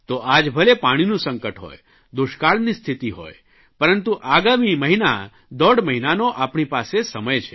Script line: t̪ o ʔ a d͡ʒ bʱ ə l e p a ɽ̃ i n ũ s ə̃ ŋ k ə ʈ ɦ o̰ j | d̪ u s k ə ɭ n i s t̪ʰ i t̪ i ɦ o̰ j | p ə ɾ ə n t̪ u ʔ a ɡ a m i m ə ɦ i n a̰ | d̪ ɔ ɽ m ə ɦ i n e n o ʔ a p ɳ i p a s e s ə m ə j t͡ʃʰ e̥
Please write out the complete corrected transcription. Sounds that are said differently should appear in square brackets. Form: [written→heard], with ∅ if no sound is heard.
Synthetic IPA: t̪ o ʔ a d͡ʒ bʱ ə l e p a ɽ̃ i n ũ s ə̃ ŋ k ə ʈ ɦ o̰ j | d̪ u [s→ʃ] k [ə→a] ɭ n i s t̪ʰ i t̪ i ɦ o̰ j | p ə ɾ ə n t̪ u ʔ a ɡ a m i m ə ɦ i n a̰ | d̪ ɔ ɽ m ə ɦ i n [e→a] n o ʔ a p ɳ i p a s e s ə m ə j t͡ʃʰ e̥